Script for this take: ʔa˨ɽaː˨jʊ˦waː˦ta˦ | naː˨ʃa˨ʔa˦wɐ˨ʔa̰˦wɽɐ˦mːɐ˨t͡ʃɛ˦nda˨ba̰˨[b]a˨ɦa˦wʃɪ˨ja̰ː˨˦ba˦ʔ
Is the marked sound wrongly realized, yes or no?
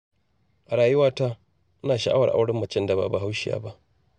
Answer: no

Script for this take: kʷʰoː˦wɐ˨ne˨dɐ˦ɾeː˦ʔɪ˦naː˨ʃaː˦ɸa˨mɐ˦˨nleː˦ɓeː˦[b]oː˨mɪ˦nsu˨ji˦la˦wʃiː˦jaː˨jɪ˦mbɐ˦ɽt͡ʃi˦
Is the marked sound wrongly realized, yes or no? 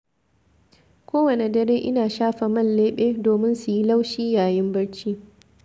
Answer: yes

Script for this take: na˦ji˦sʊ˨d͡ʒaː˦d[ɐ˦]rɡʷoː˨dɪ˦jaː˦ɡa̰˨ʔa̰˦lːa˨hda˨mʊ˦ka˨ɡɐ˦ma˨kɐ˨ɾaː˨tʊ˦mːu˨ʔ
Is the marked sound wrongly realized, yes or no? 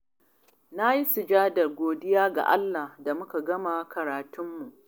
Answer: yes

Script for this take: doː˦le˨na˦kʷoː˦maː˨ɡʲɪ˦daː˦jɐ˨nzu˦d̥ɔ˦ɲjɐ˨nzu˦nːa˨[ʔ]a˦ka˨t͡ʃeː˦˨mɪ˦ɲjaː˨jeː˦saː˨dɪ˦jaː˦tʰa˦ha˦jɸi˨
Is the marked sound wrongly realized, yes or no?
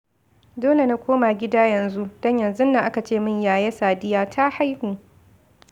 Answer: no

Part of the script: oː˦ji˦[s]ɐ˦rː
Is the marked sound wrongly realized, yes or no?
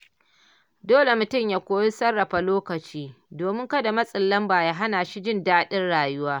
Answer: no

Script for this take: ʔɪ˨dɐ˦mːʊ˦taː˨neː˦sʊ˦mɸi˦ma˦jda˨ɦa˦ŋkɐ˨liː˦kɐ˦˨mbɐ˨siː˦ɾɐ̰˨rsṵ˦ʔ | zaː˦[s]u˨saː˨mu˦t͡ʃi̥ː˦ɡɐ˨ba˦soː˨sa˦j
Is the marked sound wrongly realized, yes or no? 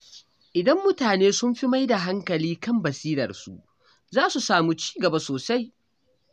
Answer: no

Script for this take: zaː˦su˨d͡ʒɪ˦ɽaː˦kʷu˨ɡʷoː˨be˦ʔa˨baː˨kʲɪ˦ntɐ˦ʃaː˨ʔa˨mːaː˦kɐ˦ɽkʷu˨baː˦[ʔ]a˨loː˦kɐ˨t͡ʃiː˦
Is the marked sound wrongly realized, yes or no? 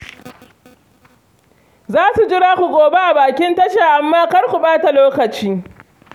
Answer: yes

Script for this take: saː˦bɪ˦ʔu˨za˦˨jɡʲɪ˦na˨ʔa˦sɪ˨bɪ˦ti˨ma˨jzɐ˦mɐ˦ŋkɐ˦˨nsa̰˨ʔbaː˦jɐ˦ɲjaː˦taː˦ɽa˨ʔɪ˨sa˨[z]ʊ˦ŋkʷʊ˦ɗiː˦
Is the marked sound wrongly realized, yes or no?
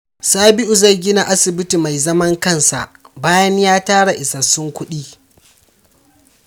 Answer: yes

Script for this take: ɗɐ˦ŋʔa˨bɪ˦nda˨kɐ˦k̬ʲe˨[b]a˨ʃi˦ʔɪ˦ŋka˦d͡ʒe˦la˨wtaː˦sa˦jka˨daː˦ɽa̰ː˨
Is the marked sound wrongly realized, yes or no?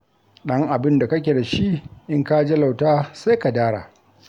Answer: yes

